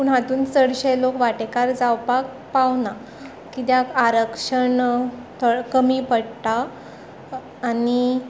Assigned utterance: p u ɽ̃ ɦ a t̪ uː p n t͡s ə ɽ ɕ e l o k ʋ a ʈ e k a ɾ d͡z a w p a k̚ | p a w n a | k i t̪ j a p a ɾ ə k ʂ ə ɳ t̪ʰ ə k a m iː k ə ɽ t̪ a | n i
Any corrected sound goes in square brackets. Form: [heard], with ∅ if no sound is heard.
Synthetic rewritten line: p u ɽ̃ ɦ a t̪ uː [∅] n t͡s ə ɽ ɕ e l o k ʋ a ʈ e k a ɾ d͡z a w p a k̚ | p a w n a | k i t̪ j a [k] a ɾ ə k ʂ ə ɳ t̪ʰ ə k [ə] m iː [p] ə ɽ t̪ a | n i